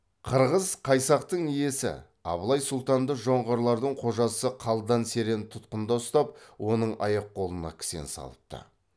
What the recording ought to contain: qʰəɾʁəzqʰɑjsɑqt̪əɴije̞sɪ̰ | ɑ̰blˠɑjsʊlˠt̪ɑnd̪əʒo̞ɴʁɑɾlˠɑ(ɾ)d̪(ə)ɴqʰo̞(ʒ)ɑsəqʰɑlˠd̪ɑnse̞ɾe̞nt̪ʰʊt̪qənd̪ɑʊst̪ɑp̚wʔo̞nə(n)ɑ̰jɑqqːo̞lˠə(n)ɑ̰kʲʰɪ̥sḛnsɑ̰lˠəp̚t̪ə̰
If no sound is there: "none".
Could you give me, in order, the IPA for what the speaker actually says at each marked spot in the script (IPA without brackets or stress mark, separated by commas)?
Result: ɾ, ə, ʒ, ɴ, n